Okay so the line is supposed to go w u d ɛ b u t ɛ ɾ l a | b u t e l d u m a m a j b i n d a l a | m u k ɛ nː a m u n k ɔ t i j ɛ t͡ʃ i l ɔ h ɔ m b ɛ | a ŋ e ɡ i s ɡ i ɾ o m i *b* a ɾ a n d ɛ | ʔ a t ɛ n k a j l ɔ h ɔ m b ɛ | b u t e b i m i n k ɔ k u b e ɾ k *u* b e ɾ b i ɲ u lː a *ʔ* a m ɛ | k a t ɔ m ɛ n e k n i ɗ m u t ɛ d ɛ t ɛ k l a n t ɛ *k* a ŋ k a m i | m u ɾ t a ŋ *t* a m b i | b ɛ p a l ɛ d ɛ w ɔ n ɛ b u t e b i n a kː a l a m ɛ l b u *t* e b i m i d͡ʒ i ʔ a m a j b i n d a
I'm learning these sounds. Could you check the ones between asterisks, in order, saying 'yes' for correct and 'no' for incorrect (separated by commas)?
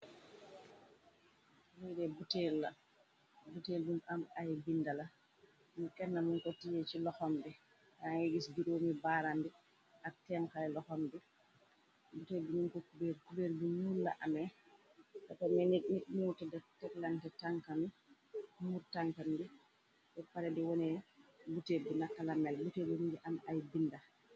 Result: yes, yes, yes, no, no, yes